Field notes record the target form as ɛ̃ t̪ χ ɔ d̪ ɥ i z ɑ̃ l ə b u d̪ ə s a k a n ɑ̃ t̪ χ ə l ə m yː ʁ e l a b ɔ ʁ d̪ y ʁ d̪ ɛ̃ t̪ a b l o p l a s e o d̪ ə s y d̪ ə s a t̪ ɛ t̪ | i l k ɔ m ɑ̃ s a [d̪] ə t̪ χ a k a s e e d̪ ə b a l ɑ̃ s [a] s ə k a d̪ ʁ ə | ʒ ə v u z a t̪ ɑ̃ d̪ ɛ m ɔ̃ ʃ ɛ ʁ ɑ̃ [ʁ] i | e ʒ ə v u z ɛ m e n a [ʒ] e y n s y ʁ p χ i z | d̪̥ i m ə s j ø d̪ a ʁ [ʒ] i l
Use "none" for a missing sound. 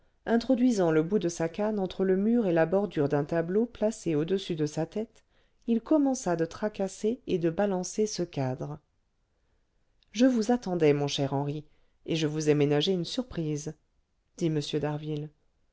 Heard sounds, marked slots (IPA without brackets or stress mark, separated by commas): d̪, e, ʁ, ʒ, v